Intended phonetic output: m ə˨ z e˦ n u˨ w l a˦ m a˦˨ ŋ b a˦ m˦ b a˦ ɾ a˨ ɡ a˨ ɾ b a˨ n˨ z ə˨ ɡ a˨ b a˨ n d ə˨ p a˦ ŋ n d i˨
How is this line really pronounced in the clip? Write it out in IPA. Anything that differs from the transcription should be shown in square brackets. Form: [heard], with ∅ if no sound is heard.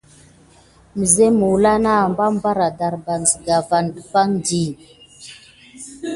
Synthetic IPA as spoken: m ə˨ z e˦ [m] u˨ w l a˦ [n] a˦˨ [m] b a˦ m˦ b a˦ ɾ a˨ [d] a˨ ɾ b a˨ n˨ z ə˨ ɡ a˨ [v] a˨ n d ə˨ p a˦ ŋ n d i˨